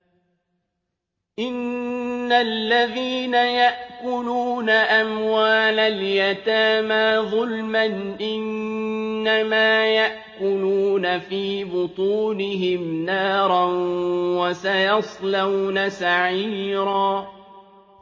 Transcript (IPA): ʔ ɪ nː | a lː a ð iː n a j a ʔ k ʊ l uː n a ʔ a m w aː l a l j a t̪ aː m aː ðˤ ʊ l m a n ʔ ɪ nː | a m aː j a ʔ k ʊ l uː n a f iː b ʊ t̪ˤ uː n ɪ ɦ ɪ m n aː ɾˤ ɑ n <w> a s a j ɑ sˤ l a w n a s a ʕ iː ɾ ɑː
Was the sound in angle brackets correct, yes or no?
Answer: yes